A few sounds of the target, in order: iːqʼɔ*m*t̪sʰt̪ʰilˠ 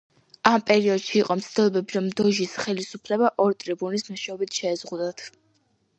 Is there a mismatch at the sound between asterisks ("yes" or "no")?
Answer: no